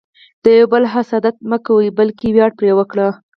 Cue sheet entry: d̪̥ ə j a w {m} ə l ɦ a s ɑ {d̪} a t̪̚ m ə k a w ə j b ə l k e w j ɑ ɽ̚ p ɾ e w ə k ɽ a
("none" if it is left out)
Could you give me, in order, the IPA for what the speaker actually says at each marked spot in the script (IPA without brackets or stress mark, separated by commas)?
b, d̪